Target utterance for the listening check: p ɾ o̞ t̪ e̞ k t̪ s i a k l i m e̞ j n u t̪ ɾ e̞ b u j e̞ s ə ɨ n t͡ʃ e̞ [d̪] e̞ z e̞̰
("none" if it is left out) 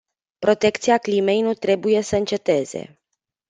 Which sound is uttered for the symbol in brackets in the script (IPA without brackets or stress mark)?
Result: t̪